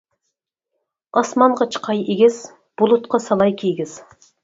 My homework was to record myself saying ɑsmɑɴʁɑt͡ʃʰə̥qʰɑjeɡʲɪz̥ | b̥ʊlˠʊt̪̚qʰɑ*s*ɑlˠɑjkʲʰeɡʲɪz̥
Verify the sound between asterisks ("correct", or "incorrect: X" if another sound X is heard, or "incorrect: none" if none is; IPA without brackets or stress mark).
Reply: correct